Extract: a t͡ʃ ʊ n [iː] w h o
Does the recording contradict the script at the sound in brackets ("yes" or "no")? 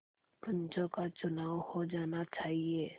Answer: yes